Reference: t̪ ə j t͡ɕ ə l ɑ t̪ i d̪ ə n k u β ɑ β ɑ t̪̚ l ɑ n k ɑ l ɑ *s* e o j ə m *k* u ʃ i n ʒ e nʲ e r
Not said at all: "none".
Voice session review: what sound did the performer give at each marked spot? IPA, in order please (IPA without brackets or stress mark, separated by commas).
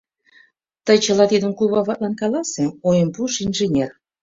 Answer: s, p